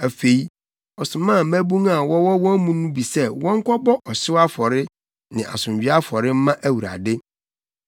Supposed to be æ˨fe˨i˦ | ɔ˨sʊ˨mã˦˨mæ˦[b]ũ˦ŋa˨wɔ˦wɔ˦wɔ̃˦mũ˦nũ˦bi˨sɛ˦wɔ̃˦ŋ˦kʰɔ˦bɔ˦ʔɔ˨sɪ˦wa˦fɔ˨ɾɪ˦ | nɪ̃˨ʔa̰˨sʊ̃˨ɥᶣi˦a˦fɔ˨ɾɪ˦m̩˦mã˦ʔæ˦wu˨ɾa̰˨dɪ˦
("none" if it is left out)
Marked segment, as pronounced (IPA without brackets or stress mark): b